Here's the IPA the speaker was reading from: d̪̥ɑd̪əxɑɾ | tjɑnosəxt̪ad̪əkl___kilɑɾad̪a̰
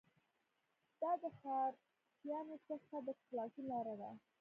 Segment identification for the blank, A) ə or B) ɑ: B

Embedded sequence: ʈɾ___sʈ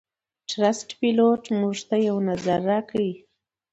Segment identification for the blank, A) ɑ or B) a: B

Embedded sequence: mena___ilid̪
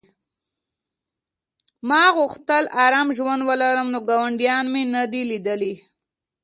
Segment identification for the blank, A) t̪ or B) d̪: B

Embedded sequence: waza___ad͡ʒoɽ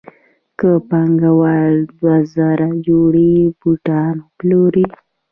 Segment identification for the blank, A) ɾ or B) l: A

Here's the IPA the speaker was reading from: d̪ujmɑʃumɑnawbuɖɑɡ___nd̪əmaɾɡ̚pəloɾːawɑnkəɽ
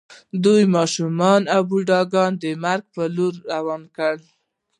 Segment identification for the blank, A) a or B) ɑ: B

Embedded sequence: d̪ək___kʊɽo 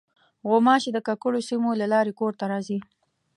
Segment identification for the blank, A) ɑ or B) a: B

